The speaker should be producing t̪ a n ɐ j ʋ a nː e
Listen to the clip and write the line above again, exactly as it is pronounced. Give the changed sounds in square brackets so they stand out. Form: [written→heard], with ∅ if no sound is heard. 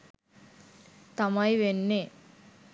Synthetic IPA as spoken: t̪ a [n→m] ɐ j ʋ [a→e] nː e